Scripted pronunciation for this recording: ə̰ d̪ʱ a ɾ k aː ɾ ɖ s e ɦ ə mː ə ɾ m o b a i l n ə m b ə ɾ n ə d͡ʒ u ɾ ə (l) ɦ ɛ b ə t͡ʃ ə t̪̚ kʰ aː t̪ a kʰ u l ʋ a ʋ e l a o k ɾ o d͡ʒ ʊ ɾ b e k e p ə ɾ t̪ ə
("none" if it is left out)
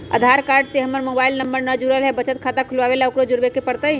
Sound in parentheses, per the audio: l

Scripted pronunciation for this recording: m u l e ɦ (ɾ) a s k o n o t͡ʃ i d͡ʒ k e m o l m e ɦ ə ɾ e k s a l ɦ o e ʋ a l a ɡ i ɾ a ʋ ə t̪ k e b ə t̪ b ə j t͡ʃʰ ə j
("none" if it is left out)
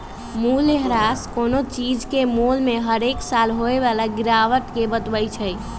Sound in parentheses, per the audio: ɾ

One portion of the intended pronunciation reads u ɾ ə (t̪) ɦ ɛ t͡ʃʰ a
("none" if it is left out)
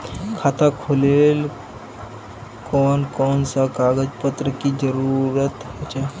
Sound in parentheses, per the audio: t̪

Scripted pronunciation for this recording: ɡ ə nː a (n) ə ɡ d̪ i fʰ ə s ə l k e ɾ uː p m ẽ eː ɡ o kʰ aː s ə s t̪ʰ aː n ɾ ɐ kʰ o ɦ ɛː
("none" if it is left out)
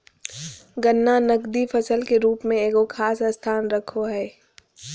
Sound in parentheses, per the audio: n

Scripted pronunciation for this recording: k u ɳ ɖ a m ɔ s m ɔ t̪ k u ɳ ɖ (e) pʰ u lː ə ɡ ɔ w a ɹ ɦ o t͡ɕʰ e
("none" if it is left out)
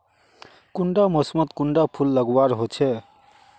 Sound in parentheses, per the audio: a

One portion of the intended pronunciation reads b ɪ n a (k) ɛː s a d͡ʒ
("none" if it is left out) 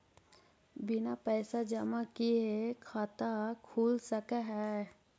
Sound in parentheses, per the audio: p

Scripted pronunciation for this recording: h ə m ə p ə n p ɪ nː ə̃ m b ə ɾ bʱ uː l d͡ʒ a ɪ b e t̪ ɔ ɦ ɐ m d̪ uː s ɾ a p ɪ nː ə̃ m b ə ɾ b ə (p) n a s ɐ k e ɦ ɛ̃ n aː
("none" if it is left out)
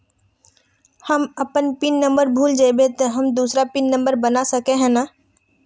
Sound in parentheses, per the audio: none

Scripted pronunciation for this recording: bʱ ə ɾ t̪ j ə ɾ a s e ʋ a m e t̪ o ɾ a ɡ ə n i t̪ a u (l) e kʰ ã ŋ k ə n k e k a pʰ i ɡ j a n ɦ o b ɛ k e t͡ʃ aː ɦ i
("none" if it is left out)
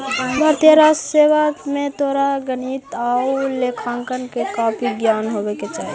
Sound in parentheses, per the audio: l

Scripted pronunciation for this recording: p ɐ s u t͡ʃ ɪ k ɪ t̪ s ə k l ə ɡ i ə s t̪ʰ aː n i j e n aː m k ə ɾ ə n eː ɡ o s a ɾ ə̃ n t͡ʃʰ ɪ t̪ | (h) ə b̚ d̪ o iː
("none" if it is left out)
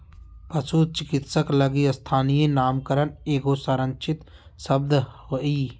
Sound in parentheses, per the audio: s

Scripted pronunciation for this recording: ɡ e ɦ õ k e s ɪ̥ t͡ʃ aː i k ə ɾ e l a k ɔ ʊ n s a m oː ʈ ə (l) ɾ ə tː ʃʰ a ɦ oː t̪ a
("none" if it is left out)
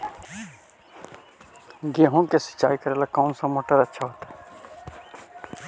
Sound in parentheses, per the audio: none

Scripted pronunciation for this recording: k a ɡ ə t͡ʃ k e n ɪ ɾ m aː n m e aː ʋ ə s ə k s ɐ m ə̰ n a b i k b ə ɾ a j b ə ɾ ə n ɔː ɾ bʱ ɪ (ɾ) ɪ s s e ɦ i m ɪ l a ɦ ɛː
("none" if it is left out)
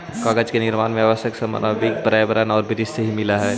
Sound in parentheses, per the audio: ɾ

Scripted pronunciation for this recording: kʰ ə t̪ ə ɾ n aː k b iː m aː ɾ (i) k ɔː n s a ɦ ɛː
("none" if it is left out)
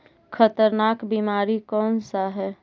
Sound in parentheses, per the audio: i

